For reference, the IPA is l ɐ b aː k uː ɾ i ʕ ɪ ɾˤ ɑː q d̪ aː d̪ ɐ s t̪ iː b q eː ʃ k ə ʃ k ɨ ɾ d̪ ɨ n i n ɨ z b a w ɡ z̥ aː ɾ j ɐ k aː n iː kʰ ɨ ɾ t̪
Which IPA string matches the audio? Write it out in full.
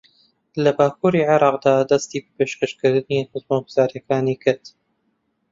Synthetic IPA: l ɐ b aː k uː ɾ i ʕ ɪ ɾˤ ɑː q d̪ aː d̪ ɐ s t̪ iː b p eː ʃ k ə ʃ k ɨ ɾ d̪ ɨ n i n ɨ z m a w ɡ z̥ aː ɾ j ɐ k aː n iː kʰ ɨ ɾ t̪